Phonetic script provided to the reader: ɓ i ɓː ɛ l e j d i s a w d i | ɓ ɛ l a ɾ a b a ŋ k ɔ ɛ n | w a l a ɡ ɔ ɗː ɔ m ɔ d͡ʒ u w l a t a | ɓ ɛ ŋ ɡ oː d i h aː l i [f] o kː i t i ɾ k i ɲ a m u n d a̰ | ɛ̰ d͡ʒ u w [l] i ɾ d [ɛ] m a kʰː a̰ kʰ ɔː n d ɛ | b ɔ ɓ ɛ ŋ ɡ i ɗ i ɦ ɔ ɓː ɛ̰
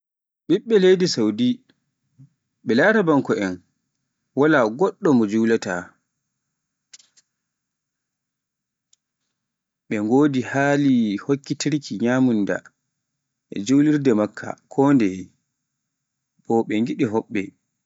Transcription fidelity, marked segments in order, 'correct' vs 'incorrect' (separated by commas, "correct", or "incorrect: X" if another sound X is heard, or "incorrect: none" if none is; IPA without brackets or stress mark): incorrect: h, correct, correct